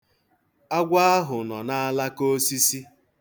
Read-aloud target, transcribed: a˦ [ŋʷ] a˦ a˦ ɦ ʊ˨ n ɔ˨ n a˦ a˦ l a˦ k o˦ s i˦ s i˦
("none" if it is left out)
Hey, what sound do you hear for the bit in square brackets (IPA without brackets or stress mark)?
ɡʷ